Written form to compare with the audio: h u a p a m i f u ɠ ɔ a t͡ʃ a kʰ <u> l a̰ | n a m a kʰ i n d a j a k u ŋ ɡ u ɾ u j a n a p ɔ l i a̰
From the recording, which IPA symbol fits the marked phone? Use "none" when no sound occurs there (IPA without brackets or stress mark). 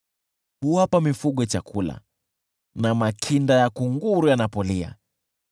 u